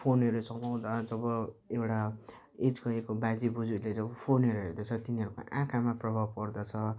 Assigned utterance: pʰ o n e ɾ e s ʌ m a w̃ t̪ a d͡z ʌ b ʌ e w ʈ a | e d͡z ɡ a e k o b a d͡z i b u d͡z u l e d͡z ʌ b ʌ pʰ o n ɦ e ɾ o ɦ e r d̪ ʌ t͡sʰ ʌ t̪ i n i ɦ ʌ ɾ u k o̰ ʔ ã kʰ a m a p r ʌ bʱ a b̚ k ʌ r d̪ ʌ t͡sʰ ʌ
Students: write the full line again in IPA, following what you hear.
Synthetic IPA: pʰ o n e ɾ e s ʌ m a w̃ d̪ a d͡z ʌ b ʌ e w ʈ a | e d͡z ɡ ʌ e k o b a d͡z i b u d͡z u l e d͡z ʌ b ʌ pʰ o n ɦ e ɾ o ɦ e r d̪ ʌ t͡sʰ ʌ t̪ i n i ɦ ʌ ɾ u k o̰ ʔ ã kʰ a m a p r ʌ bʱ a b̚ k ʌ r d̪ ʌ t͡sʰ ʌ